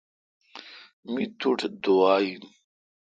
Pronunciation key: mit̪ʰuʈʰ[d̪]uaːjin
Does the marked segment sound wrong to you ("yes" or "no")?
no